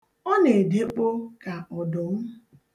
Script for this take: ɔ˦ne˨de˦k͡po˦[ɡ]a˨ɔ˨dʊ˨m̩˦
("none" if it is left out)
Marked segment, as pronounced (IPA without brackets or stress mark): k